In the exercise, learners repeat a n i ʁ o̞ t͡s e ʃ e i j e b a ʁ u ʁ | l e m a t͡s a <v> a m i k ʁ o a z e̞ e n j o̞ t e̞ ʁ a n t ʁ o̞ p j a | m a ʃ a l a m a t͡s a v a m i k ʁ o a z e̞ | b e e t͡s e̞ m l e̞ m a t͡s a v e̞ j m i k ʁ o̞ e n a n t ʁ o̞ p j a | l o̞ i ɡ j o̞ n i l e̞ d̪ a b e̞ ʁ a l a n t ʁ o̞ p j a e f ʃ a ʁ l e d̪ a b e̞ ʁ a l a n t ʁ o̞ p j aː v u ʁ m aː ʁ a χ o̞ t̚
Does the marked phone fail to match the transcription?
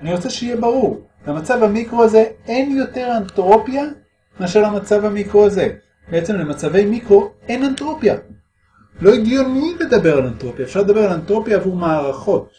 no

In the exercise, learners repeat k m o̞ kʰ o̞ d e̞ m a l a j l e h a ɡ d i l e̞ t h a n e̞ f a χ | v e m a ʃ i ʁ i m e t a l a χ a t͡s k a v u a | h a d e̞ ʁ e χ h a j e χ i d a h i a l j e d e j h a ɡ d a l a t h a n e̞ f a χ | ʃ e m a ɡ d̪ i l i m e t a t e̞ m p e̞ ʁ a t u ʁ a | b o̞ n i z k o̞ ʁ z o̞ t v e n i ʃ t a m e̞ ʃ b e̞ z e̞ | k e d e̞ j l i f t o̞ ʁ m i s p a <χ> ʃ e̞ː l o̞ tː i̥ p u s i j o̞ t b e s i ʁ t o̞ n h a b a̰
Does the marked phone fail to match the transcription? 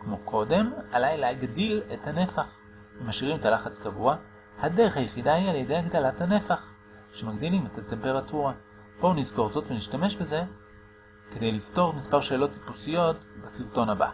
yes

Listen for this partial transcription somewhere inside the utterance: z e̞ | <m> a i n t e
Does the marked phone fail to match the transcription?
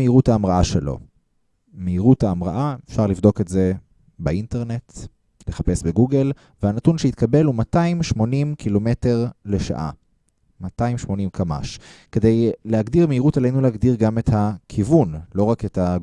yes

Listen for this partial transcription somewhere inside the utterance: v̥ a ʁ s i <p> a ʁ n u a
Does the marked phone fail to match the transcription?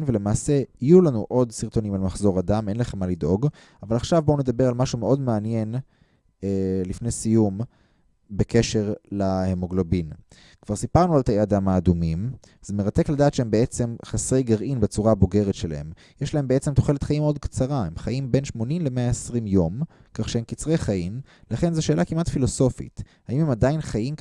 no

